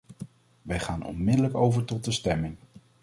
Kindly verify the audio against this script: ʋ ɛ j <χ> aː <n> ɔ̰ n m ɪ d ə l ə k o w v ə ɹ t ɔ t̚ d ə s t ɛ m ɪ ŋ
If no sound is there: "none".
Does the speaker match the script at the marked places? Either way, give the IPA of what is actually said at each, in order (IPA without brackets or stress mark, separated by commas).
χ, n